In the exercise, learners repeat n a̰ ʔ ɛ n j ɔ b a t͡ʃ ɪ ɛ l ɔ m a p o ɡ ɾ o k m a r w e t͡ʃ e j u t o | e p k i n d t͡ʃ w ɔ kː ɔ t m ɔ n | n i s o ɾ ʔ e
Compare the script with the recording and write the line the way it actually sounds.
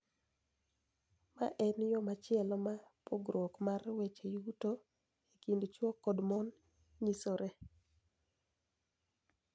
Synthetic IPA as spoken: m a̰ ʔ ɛ n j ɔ m a t͡ʃ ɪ ɛ l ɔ m a p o ɡ ɾ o k m a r w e t͡ʃ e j u t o | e k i n d t͡ʃ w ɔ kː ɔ d m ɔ n | ɲ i s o ɾ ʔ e